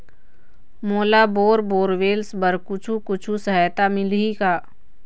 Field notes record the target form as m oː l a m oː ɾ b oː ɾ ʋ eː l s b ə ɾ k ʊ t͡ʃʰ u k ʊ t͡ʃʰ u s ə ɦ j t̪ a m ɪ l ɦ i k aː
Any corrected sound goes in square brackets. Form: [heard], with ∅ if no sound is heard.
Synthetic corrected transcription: m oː l a [b] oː ɾ b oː ɾ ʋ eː l s b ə ɾ k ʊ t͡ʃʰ u k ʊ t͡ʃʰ u s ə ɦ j t̪ a m ɪ l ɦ i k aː